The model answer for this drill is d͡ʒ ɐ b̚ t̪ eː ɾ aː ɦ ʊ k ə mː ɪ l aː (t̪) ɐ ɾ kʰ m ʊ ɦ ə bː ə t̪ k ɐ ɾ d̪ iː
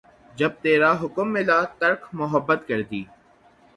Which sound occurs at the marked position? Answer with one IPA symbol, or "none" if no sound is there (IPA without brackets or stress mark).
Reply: t̪